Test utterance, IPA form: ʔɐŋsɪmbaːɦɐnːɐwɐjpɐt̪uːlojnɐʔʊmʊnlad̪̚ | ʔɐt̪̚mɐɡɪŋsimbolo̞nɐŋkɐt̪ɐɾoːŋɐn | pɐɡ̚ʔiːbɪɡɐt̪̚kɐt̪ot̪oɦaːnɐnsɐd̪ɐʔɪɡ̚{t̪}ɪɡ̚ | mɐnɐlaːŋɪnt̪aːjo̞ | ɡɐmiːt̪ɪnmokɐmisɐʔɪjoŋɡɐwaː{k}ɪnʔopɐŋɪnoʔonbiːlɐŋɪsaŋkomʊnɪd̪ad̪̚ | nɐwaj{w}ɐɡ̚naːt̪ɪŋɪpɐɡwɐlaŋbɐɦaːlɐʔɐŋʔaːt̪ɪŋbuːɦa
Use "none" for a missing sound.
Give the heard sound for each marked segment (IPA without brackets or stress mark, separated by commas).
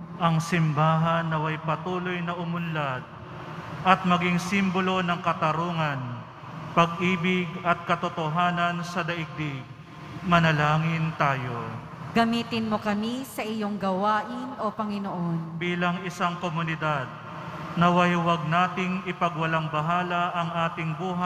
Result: d̪, ʔ, w